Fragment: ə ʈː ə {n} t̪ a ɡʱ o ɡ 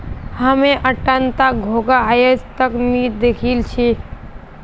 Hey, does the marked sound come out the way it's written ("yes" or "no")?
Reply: yes